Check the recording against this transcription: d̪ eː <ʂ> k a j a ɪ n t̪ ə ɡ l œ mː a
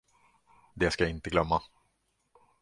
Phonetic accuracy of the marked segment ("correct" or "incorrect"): incorrect